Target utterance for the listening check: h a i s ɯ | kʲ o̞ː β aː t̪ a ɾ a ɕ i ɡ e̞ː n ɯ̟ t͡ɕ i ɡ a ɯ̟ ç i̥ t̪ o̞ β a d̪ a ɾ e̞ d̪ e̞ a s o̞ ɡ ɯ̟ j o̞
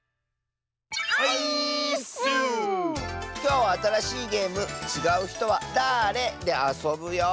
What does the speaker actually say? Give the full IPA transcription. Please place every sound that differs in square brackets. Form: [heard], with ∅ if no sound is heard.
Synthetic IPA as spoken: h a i s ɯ | kʲ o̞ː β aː t̪ a ɾ a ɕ [iː] ɡ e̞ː [m] ɯ̟ t͡ɕ i ɡ a ɯ̟ ç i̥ t̪ o̞ β a d̪ a ɾ e̞ d̪ e̞ a s o̞ [b] ɯ̟ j o̞